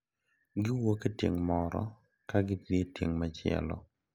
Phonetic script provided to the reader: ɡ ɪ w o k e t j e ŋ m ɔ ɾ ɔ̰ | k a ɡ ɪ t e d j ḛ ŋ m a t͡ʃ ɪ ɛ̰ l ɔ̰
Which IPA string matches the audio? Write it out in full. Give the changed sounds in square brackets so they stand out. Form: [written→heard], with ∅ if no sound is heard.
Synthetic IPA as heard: ɡ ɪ w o k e t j e ŋ m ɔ ɾ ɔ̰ | k a ɡ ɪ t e [d→t] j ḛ ŋ m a t͡ʃ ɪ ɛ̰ l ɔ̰